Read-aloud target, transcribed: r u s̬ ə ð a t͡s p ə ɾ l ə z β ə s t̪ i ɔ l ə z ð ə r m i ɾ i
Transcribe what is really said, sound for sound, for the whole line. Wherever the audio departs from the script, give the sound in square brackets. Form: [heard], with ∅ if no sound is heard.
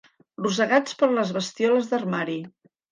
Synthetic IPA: r u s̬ ə [ɣ] a t͡s p ə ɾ l ə z β ə s t̪ i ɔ l ə z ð ə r m [a] ɾ i